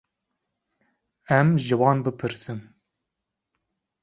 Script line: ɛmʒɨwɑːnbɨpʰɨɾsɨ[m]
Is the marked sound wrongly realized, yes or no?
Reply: no